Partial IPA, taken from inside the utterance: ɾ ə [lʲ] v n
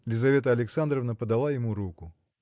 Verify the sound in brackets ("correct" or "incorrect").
incorrect